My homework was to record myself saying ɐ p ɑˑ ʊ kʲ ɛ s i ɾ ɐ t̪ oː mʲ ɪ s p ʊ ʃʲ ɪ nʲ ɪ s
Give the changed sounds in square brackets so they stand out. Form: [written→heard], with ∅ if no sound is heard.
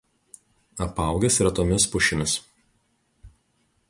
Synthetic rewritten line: ɐ p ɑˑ ʊ [kʲ→ɡʲ] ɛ s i ɾ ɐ t̪ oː mʲ ɪ s p ʊ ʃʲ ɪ [nʲ→mʲ] ɪ s